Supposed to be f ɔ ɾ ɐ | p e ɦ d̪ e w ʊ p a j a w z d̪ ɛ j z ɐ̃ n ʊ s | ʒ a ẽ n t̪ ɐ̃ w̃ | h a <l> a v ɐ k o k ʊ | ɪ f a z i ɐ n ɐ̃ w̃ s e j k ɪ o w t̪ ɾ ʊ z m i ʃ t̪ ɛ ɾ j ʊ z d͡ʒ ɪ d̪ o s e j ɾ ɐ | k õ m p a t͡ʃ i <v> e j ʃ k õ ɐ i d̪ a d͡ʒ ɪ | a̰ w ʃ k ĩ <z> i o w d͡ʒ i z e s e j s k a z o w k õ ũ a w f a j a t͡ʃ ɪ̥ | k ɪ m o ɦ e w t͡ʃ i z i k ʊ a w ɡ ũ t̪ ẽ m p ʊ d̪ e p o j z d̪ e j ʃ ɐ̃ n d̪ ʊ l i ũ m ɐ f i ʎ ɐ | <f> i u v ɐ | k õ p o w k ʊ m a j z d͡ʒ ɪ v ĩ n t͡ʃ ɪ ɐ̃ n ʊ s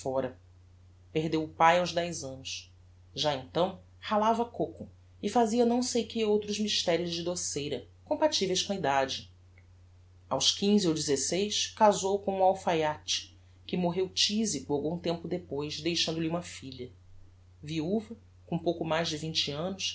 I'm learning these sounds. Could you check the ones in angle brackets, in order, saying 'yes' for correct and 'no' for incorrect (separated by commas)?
yes, yes, yes, no